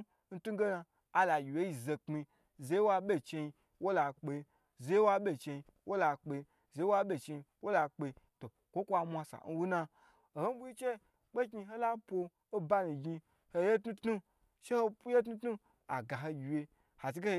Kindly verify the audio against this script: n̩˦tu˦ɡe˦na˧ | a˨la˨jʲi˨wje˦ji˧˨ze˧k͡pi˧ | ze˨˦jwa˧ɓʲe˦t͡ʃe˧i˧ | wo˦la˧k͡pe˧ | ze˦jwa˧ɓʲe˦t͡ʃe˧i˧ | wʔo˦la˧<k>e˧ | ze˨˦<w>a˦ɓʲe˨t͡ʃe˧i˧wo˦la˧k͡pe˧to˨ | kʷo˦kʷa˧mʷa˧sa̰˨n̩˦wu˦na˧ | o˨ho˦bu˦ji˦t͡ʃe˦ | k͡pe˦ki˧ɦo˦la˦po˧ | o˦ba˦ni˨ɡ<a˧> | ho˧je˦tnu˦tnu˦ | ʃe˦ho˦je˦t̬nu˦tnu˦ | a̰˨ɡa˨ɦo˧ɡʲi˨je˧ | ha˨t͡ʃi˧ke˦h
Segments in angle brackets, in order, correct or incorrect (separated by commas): incorrect, correct, incorrect